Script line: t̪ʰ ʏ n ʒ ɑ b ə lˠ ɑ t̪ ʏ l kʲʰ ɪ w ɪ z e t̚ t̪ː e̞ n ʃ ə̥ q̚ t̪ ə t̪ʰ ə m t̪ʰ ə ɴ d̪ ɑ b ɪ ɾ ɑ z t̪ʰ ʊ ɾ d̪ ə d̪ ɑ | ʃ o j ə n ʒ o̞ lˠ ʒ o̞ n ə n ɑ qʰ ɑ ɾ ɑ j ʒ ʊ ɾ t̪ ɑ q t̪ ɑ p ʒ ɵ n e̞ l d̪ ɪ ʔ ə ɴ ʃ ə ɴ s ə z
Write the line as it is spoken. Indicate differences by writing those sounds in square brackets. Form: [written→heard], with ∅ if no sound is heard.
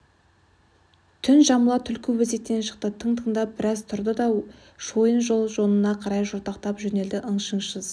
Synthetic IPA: t̪ʰ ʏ n ʒ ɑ [b→m] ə lˠ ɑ [t̪→t̪ʰ] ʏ l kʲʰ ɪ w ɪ z e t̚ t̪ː e̞ n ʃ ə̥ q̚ t̪ ə t̪ʰ ə [m→ɴ] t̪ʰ ə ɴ d̪ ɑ b ɪ ɾ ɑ z t̪ʰ ʊ ɾ d̪ ə d̪ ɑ | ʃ o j ə n ʒ o̞ lˠ ʒ o̞ n ə n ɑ qʰ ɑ ɾ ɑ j ʒ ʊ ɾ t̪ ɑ q t̪ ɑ p ʒ ɵ n e̞ l d̪ ɪ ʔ ə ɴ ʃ ə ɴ [s→ʃ] ə z